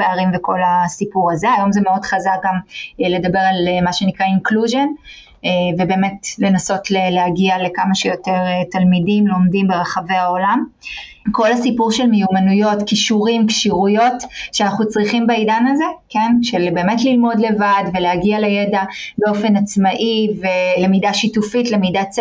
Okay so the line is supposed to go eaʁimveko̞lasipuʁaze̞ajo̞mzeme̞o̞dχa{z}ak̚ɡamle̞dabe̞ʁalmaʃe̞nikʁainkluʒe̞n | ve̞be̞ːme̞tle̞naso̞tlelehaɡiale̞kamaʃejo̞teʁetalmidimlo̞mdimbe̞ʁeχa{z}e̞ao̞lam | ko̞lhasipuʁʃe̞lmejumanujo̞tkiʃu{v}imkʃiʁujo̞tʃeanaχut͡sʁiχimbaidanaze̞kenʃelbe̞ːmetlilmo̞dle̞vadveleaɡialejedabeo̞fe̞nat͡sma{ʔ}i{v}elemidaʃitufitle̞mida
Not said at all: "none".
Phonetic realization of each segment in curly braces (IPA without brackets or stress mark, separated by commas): z, v, ʁ, ʔ, v